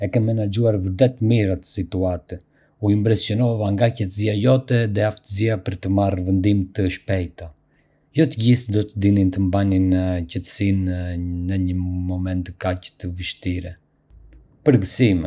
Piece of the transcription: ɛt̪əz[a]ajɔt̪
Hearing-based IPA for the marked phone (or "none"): i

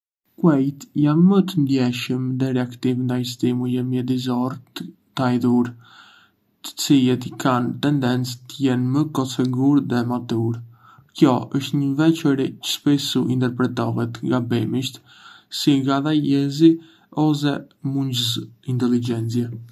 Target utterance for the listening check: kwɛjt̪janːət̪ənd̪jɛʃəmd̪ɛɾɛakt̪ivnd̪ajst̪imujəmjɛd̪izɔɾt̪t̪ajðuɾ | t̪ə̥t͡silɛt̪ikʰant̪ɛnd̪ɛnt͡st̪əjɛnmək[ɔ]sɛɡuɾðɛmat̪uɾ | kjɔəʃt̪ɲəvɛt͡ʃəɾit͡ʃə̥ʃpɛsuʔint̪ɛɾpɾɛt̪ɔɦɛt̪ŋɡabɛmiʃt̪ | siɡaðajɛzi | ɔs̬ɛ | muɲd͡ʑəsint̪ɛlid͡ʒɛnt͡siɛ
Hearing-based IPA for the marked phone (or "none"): ɔ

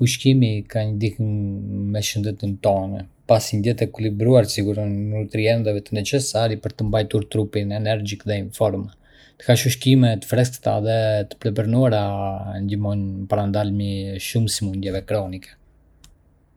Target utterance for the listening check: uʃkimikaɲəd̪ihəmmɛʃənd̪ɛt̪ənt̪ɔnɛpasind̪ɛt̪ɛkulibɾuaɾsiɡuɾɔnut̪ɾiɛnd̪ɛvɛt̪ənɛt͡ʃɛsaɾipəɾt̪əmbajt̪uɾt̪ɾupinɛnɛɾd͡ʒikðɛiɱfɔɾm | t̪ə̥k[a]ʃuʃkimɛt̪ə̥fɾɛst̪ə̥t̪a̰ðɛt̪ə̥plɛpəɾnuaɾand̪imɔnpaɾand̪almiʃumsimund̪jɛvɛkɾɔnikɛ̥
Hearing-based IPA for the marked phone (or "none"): a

